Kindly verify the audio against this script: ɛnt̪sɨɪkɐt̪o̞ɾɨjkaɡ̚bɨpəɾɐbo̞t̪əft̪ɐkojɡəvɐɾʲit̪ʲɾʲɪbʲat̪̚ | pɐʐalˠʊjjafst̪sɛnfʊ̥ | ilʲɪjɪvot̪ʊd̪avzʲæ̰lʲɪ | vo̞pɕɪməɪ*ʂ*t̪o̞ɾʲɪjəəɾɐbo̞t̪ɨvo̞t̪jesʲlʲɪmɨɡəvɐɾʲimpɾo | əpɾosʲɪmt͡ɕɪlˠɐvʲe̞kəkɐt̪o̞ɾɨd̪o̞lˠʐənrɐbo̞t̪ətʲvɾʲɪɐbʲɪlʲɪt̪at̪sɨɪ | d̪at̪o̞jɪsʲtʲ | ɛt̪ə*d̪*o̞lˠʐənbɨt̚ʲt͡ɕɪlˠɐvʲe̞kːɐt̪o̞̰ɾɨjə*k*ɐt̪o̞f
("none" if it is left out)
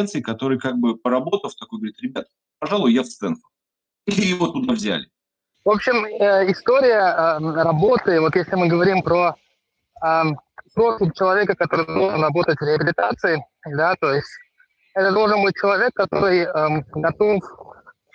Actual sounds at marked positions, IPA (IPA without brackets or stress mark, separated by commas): s, d̪, ɡ